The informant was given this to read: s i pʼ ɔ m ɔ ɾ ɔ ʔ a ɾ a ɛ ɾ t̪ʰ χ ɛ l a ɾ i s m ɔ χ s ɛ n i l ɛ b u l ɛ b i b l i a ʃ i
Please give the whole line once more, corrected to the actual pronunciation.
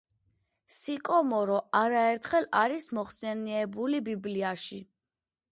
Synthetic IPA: s i kʼ ɔ m ɔ ɾ ɔ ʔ a ɾ a ɛ ɾ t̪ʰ χ ɛ l a ɾ i s m ɔ χ s ɛ n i ɛ b u l i b i b l i a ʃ i